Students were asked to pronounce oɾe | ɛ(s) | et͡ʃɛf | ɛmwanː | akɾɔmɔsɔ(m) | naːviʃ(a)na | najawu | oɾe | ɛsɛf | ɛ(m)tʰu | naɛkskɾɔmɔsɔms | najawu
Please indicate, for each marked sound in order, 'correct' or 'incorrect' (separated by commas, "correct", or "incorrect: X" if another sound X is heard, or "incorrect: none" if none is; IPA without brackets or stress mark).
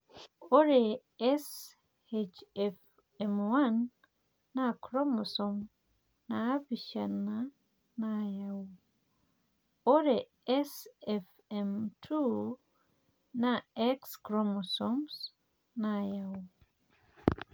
correct, correct, correct, correct